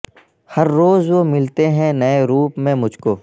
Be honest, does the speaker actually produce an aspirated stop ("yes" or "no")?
no